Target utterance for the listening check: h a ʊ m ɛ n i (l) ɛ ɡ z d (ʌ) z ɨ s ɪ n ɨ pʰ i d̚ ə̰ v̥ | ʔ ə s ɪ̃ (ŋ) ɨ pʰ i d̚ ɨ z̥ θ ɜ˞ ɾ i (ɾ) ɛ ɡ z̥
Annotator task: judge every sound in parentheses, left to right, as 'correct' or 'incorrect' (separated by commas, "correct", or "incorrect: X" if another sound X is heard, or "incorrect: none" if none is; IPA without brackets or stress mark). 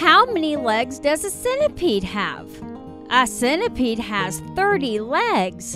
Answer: correct, correct, incorrect: n, incorrect: l